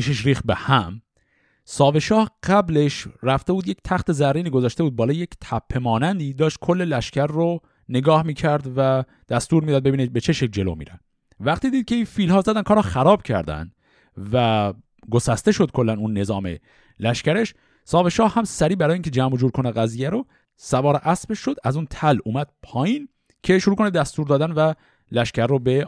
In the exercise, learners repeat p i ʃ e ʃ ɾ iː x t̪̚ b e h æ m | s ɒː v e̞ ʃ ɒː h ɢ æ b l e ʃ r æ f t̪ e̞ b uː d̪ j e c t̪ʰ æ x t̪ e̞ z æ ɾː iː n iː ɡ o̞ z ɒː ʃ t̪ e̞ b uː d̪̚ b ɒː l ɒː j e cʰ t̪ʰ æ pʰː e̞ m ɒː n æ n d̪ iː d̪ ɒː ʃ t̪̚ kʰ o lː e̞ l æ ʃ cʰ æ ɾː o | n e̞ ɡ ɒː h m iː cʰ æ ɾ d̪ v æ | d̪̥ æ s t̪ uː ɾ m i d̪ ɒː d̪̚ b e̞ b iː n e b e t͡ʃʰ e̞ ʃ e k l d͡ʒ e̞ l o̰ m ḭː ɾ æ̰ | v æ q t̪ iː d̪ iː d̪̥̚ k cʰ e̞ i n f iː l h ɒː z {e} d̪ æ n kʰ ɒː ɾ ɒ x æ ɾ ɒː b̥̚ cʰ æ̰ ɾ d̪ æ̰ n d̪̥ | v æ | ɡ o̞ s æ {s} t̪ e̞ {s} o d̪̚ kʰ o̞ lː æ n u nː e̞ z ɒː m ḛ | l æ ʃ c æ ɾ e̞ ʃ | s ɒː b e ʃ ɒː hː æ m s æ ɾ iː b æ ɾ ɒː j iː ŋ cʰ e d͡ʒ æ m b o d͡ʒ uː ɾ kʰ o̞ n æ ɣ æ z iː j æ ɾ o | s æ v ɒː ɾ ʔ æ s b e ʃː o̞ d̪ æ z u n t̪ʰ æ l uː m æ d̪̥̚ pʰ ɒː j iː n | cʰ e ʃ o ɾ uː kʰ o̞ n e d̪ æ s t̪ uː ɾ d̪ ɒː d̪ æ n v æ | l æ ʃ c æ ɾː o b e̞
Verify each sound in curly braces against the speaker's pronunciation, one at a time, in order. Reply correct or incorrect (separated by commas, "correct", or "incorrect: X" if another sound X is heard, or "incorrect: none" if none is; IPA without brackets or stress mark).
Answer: incorrect: æ, correct, incorrect: ʃ